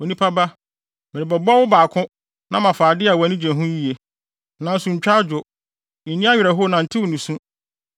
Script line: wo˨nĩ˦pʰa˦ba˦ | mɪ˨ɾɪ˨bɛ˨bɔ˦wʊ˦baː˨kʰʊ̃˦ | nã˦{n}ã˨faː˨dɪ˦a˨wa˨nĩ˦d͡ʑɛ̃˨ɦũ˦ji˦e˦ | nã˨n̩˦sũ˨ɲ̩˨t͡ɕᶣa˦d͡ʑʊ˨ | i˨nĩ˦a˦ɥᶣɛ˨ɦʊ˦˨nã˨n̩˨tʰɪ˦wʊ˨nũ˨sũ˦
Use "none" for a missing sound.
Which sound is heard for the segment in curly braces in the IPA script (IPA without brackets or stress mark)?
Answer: m